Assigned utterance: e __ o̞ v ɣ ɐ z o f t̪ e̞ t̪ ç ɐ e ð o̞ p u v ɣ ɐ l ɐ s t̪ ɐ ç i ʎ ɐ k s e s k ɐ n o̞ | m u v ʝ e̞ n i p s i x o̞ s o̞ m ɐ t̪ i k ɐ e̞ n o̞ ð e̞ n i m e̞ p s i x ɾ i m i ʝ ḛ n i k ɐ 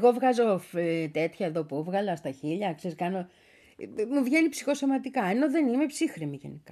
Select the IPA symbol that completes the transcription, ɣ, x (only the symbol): ɣ